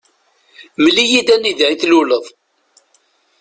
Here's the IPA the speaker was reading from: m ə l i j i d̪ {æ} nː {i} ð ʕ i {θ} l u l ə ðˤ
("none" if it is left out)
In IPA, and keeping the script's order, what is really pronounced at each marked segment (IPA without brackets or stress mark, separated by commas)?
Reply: æ, i, θ